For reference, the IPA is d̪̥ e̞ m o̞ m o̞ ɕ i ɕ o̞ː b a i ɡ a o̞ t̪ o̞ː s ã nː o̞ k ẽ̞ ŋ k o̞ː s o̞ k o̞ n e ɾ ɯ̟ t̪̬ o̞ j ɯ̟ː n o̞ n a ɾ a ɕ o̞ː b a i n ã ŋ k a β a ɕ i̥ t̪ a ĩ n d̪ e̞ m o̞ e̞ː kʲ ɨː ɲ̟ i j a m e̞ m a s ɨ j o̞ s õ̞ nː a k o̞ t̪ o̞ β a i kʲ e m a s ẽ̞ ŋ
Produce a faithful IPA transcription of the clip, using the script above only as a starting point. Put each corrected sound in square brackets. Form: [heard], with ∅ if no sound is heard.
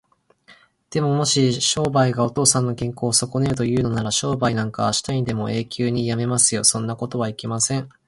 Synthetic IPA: d̪̥ e̞ m o̞ m o̞ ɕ i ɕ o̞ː b a i ɡ a o̞ t̪ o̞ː s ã nː o̞ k ẽ̞ ŋ k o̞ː s o̞ k o̞ n e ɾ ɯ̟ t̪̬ o̞ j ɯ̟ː n o̞ n a ɾ a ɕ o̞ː b a i n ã ŋ k a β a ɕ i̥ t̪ a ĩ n d̪ e̞ m o̞ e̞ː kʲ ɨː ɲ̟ i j a m e̞ m a s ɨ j o̞ s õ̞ nː a k o̞ t̪ o̞ β a i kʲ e m a s ẽ̞ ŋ